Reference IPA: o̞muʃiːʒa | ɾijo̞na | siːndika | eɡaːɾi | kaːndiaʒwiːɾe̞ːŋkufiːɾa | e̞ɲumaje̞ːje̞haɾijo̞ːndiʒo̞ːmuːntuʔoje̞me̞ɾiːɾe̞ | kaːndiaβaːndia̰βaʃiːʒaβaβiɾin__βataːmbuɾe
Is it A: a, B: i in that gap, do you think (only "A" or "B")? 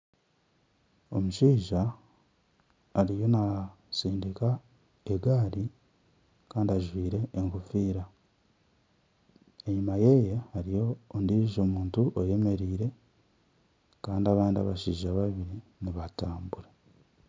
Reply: B